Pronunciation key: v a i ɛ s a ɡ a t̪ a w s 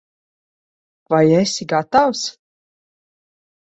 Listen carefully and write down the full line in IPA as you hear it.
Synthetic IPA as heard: v a j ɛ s i ɡ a t̪ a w s